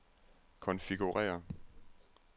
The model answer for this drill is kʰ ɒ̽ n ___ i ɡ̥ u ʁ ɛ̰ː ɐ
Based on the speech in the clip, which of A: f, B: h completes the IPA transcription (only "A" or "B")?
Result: A